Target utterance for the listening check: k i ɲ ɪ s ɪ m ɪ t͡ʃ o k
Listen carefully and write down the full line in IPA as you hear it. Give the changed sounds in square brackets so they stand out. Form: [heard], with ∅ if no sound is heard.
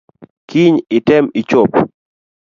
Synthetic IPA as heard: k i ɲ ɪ [t] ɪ m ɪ t͡ʃ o [p]